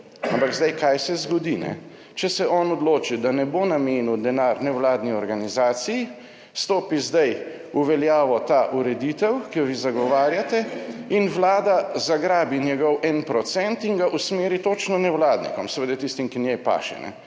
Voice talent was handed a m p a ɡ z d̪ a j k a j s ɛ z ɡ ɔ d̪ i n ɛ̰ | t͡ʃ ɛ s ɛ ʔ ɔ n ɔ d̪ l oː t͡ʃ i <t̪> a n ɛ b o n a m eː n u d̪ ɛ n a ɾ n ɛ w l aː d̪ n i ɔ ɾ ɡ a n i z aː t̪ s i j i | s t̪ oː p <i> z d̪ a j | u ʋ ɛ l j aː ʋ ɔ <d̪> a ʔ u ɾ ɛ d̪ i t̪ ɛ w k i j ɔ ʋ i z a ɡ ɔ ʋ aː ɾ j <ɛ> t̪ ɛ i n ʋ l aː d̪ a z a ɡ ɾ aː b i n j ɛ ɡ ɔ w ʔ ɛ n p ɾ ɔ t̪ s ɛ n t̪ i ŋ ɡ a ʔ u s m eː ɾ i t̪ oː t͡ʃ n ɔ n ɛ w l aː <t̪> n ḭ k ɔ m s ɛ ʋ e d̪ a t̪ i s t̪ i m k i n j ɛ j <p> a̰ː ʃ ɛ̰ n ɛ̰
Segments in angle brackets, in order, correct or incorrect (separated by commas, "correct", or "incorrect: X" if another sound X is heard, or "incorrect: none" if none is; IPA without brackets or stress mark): incorrect: d̪, correct, incorrect: t̪, incorrect: a, incorrect: d̪, correct